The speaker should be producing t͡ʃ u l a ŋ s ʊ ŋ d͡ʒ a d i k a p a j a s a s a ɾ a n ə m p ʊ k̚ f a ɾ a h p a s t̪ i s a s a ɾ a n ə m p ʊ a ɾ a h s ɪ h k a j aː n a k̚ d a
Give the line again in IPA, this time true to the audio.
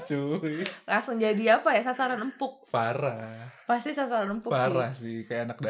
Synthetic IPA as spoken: t͡ʃ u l a ŋ s ʊ ŋ d͡ʒ a d i a p a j a s a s a ɾ a n ə m p ʊ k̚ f a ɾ a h p a s t̪ i s a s a ɾ a n ə m p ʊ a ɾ a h s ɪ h k a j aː n a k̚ d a